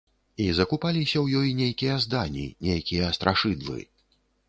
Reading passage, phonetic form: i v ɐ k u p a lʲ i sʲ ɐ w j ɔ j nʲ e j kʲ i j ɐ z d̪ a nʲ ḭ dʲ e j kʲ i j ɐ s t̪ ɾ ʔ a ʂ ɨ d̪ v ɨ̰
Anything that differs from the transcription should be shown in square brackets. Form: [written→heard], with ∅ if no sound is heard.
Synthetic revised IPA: i [v→z] ɐ k u p a lʲ i sʲ ɐ w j ɔ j nʲ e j kʲ i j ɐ z d̪ a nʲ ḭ [dʲ→nʲ] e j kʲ i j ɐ s t̪ ɾ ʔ a ʂ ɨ d̪ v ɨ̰